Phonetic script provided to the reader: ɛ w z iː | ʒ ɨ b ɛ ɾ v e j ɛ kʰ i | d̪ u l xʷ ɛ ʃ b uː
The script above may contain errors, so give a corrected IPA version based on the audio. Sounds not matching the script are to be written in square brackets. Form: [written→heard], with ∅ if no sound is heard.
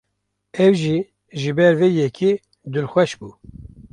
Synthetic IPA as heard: ɛ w [z→ʒ] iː | ʒ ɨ b ɛ ɾ v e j ɛ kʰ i | d̪ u l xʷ ɛ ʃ b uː